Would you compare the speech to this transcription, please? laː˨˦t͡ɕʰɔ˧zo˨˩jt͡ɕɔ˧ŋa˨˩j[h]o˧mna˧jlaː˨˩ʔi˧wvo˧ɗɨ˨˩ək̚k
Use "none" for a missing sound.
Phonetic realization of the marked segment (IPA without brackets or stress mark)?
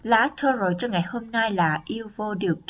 h